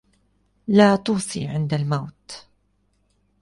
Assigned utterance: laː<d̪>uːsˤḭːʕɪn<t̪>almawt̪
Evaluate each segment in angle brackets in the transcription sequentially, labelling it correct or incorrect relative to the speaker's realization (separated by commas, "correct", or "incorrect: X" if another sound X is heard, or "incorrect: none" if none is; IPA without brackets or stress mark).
incorrect: t̪, incorrect: d̪